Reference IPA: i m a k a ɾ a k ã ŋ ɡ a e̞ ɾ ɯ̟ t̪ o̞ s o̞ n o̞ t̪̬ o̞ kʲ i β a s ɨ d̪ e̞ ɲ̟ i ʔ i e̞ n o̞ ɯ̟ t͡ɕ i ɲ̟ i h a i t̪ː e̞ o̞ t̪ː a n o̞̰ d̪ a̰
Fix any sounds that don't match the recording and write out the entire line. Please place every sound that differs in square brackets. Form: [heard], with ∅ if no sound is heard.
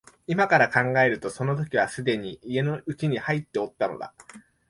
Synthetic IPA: i m a k a ɾ a k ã ŋ ɡ a e̞ ɾ ɯ̟ t̪ o̞ s o̞ n o̞ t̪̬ o̞ kʲ i β a s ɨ d̪ e̞ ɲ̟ i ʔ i e̞ n o̞ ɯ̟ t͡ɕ i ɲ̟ i h a i t̪ː e̞ o̞ t̪ː a n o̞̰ d̪ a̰